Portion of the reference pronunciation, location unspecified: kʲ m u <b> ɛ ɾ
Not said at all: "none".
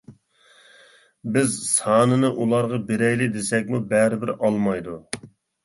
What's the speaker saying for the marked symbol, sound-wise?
b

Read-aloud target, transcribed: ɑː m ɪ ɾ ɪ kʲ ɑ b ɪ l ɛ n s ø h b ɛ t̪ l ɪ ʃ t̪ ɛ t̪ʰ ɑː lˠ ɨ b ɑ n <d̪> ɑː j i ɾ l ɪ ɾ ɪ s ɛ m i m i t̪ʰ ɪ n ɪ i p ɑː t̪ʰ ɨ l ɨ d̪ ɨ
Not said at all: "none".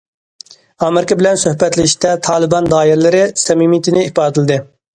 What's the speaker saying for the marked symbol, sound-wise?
d̪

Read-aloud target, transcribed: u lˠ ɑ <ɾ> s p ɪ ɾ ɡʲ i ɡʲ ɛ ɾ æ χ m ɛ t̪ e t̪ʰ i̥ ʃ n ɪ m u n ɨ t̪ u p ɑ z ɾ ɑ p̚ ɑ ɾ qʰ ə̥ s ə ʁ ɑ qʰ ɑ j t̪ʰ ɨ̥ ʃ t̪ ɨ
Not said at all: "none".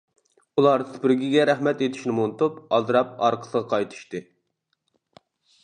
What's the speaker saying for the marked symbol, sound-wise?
ɾ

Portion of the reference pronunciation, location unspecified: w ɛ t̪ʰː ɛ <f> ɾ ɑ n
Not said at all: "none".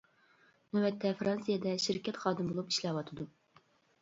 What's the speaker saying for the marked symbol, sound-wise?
f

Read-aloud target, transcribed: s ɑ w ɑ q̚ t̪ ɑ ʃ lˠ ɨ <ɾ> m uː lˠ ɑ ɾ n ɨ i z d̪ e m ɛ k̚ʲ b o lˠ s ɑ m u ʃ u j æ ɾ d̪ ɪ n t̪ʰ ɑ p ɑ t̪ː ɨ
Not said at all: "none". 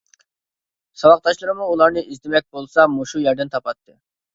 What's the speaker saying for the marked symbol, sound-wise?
ɾ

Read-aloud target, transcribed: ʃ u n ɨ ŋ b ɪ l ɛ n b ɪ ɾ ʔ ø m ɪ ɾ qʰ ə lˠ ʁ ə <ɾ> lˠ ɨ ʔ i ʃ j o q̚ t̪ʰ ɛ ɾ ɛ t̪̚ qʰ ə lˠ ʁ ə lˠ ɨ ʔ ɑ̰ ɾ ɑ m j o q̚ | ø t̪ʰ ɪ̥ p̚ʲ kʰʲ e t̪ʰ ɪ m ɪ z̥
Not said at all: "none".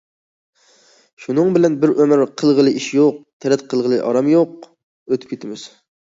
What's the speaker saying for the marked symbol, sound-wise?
none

